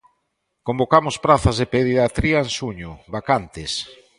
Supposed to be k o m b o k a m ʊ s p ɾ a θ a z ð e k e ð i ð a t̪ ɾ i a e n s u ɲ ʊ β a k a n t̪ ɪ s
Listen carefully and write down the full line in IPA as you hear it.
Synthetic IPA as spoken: k o m b o k a m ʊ s p ɾ a θ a z ð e p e ð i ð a t̪ ɾ i a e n s u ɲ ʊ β a k a n t̪ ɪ s